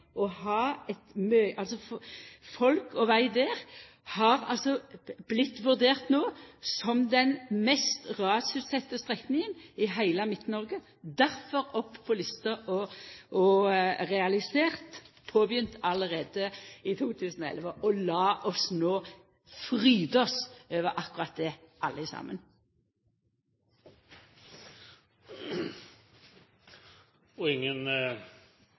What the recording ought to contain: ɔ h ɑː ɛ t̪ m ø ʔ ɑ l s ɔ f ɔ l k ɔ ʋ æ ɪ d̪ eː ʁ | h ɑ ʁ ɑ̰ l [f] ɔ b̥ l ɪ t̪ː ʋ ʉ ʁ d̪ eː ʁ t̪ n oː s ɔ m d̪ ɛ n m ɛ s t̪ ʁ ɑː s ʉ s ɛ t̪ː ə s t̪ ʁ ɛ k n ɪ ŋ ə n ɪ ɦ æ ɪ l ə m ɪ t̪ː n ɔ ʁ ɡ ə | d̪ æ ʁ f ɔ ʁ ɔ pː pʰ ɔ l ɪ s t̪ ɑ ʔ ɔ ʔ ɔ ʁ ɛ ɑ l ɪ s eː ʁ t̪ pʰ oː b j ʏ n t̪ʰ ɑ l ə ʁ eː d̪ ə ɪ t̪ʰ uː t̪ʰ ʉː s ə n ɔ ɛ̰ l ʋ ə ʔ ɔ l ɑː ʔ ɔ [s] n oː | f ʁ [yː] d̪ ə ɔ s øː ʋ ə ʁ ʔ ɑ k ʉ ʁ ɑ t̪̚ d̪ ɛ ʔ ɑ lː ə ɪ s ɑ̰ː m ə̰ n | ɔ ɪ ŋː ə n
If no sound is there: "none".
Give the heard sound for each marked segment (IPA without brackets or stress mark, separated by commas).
s, s, yː